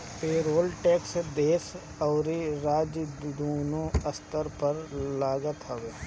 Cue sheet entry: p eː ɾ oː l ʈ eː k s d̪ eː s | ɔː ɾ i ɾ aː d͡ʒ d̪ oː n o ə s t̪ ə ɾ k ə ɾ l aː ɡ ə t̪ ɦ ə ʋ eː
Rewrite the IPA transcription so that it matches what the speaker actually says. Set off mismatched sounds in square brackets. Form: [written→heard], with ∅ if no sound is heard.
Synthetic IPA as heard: p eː ɾ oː l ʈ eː k s d̪ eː s | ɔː ɾ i ɾ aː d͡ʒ d̪ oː n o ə s t̪ ə ɾ [k→p] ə ɾ l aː ɡ ə t̪ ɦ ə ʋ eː